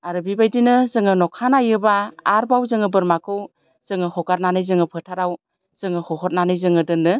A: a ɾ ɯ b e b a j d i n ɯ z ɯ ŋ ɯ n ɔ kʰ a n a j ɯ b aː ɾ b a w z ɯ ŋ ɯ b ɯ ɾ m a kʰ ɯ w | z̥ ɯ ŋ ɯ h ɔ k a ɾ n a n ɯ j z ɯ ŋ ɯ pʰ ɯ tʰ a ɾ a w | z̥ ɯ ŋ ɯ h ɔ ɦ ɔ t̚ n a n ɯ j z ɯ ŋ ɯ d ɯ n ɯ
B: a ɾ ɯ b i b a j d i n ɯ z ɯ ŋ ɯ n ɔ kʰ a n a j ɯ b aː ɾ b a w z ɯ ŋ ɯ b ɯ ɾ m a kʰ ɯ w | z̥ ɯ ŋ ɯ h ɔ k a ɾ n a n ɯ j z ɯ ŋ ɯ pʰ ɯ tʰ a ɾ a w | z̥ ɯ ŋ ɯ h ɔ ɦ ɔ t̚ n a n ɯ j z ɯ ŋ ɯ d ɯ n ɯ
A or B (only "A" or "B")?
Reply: B